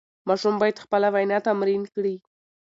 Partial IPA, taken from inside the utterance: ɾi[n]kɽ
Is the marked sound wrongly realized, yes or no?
no